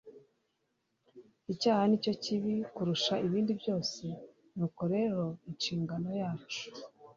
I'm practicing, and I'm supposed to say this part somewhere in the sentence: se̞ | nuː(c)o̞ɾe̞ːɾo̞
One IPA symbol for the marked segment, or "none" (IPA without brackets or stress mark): k